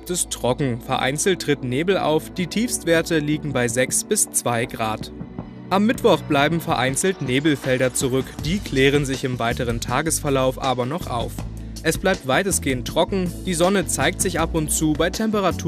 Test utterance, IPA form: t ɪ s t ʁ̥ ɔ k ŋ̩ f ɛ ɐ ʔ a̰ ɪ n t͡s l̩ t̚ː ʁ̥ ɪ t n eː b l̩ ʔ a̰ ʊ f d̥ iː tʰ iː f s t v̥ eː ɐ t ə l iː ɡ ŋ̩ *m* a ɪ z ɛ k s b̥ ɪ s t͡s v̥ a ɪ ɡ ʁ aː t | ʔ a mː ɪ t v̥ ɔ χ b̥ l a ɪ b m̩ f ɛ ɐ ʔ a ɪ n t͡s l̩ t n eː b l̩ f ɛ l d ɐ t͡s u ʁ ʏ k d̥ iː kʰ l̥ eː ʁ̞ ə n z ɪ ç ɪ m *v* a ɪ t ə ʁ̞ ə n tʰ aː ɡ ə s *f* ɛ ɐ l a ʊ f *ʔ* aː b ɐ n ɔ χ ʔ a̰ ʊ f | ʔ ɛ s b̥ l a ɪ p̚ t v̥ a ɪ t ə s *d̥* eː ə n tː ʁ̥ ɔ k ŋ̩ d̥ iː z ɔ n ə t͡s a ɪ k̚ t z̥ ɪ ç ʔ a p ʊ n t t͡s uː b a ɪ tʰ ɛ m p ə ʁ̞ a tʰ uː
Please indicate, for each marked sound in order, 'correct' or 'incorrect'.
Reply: incorrect: b, correct, correct, correct, incorrect: ɡ̥

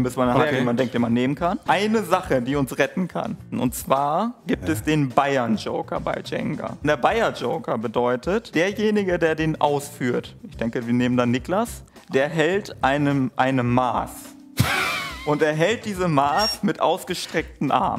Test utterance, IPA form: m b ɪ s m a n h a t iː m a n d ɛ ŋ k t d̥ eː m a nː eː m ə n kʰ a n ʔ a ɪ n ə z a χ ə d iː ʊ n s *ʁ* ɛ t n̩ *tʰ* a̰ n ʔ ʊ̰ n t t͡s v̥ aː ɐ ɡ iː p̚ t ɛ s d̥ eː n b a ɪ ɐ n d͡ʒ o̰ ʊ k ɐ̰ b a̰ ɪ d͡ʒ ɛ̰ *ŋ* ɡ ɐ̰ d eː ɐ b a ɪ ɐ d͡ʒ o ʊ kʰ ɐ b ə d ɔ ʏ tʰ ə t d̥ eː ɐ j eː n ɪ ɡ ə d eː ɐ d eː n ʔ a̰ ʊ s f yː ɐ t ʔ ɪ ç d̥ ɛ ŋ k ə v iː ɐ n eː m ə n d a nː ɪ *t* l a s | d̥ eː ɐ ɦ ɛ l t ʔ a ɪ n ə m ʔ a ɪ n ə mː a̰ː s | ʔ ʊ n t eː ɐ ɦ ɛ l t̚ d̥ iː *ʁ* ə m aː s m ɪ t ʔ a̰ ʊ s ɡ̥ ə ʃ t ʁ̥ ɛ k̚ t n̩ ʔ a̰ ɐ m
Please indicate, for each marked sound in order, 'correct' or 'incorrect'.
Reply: correct, incorrect: kʰ, correct, incorrect: k, incorrect: z

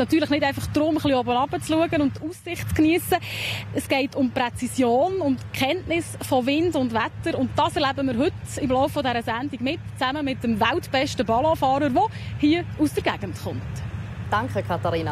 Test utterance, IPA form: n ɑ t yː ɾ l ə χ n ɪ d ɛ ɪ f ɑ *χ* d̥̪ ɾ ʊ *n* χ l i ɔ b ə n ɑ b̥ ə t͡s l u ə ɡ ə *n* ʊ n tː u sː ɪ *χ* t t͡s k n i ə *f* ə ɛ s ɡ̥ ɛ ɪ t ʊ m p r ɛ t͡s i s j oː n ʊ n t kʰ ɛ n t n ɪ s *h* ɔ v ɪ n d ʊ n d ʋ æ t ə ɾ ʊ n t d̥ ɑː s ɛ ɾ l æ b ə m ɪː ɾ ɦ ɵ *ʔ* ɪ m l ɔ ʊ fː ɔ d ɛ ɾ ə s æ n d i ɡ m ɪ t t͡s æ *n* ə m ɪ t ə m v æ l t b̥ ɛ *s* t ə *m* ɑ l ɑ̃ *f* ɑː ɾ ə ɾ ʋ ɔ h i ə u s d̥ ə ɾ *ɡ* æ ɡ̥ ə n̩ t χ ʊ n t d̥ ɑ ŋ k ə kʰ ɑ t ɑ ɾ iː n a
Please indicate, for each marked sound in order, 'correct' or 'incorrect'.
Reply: correct, incorrect: m, correct, correct, incorrect: s, incorrect: f, incorrect: t, incorrect: m, incorrect: ʃ, incorrect: b, correct, correct

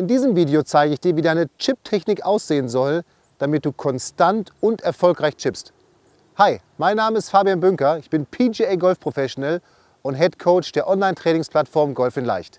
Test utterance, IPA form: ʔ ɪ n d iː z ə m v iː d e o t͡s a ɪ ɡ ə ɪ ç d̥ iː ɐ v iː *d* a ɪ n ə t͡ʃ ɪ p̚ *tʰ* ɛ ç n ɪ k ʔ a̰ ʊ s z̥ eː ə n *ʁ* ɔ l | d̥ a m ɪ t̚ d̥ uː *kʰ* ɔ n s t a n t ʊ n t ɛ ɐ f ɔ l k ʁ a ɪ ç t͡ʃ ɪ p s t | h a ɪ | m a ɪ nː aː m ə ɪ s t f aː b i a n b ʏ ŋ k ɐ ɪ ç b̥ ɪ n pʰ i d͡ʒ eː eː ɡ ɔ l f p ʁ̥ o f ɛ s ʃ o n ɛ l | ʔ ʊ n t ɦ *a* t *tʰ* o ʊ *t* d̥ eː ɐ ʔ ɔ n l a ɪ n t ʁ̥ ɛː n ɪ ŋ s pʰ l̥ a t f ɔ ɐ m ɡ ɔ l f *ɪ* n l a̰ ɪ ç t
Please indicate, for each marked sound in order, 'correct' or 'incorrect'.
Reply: correct, correct, incorrect: z, correct, incorrect: ɛ, incorrect: kʰ, incorrect: t͡ʃ, correct

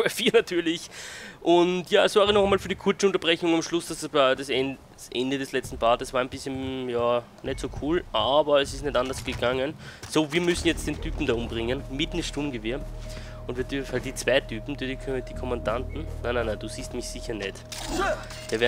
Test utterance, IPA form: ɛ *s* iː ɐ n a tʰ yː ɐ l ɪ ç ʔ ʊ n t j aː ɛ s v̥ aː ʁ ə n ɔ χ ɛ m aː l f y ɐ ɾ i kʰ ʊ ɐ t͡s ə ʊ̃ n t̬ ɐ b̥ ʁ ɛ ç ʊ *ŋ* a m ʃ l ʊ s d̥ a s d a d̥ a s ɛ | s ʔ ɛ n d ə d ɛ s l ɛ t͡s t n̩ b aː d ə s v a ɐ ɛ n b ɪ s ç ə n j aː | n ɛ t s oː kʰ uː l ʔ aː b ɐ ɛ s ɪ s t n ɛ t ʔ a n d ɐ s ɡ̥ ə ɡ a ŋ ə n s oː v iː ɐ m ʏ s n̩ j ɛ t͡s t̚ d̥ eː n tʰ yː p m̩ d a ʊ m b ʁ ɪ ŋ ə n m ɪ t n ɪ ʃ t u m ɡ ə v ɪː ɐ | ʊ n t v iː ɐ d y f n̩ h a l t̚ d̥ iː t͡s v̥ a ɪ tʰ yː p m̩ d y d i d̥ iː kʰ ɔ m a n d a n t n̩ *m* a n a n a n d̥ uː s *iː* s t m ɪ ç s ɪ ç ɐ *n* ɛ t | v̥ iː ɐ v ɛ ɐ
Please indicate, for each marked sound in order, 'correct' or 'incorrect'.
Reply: incorrect: f, correct, incorrect: n, correct, correct

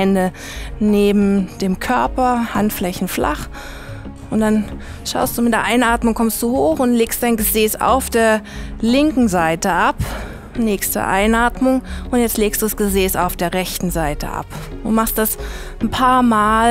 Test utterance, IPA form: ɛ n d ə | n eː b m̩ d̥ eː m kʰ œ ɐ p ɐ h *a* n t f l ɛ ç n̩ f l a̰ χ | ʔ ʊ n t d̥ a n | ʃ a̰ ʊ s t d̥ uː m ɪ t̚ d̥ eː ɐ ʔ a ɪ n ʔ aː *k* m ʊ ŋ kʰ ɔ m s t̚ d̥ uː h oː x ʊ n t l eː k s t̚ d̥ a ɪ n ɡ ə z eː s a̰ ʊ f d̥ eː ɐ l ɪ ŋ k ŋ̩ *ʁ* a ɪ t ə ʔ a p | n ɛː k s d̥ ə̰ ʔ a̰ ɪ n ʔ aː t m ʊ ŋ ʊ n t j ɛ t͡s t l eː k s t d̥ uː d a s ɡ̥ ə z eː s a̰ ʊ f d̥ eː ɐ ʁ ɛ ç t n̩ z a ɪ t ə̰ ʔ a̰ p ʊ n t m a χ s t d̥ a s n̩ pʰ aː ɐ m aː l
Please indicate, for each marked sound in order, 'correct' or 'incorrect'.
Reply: correct, incorrect: t, incorrect: z

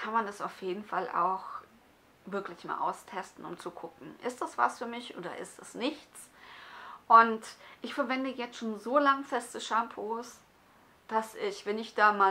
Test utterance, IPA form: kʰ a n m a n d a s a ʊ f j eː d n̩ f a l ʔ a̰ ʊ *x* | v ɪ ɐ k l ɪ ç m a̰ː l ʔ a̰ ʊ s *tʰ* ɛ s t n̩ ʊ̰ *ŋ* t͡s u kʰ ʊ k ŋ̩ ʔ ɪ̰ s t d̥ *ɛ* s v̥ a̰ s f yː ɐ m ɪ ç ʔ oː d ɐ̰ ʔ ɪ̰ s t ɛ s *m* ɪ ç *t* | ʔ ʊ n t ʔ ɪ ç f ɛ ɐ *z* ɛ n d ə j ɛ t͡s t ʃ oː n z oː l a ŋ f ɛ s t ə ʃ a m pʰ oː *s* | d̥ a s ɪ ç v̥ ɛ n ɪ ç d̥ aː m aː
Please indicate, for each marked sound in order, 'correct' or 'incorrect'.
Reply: correct, correct, incorrect: m, incorrect: a, incorrect: n, incorrect: t͡s, incorrect: v, correct

